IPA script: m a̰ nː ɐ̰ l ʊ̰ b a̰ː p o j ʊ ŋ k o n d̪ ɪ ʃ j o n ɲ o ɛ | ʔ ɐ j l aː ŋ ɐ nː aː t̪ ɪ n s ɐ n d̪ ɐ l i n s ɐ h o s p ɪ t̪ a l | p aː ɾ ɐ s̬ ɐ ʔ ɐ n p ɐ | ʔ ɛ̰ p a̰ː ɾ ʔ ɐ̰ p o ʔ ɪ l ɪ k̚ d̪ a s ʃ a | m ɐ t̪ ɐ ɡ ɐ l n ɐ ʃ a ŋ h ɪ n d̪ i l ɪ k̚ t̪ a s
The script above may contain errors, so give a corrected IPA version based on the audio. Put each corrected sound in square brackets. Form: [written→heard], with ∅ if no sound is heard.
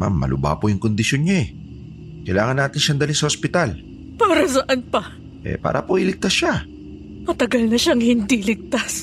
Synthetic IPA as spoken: m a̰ [nː→mː] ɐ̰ l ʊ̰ b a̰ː p o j ʊ ŋ k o n d̪ ɪ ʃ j o n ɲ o ɛ | [ʔ→k] ɐ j l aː ŋ ɐ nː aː t̪ ɪ n [s→ʃ] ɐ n d̪ ɐ l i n s ɐ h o s p ɪ t̪ a l | p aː ɾ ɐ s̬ ɐ ʔ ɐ n p ɐ | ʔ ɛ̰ p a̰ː ɾ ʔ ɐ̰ p o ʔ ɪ l ɪ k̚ [d̪→t̪] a s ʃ a | m ɐ t̪ ɐ ɡ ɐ l n ɐ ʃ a ŋ h ɪ n d̪ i l ɪ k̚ t̪ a s